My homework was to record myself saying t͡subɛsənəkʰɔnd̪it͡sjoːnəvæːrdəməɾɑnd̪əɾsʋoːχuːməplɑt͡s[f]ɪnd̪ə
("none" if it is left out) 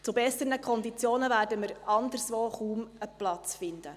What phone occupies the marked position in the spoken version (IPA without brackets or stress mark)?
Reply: f